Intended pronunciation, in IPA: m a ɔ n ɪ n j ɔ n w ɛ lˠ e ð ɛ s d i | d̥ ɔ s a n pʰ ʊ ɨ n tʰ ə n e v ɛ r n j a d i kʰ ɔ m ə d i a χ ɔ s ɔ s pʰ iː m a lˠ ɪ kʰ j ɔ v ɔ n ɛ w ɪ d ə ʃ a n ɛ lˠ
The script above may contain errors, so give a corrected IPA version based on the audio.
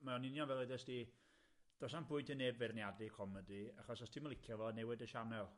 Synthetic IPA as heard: m a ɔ n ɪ n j ɔ n v ɛ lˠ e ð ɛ s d i | d̥ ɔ s a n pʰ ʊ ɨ n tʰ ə n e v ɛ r n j a d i kʰ ɔ m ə d i a χ ɔ s ɔ s tʰ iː m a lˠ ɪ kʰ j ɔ v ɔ n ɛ w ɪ d ə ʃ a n ɛ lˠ